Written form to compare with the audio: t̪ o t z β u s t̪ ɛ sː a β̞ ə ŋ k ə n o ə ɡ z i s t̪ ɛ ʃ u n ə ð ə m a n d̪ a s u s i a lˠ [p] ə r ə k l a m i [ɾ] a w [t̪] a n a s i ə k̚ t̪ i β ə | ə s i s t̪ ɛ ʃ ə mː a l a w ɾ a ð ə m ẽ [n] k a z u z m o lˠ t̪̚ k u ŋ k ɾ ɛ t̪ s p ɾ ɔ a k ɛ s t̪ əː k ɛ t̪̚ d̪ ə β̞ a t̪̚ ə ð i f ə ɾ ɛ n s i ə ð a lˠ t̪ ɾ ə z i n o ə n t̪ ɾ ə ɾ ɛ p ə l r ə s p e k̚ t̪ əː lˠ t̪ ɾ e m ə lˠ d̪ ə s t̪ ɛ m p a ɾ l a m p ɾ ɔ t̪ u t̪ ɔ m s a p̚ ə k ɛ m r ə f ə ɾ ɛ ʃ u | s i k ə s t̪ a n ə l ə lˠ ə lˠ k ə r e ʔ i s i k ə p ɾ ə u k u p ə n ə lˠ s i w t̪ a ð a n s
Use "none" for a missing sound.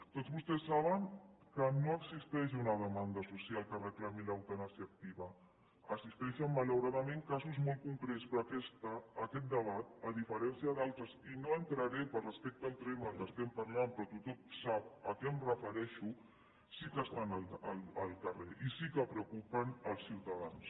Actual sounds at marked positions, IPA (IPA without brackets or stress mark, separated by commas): k, l, t̪, ŋ